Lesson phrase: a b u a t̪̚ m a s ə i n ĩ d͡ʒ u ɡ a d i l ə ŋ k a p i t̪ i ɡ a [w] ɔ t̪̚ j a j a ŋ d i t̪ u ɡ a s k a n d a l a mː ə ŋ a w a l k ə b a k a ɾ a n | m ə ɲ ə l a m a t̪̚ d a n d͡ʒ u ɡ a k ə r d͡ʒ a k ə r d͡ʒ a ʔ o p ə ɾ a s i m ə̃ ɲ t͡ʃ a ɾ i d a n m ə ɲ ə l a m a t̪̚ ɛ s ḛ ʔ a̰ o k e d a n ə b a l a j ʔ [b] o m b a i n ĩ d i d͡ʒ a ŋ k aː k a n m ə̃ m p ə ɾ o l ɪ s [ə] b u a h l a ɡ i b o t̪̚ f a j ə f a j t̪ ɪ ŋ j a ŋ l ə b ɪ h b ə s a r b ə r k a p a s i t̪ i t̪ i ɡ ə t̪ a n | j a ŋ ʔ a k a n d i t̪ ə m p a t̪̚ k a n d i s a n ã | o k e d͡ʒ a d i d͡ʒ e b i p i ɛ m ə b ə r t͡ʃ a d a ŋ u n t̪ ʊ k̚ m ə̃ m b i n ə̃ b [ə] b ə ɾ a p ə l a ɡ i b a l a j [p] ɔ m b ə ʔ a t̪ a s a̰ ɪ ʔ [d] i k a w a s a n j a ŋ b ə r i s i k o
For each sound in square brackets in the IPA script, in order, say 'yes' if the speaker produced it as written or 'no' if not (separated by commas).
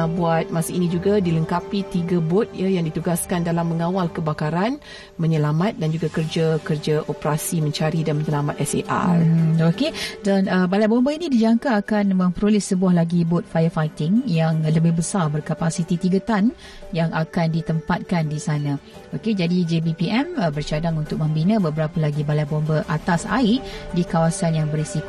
no, yes, yes, yes, no, yes